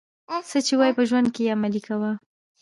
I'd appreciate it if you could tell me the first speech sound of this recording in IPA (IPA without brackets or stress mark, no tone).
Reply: s